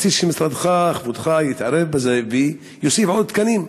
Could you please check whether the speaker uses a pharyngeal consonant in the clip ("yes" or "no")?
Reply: yes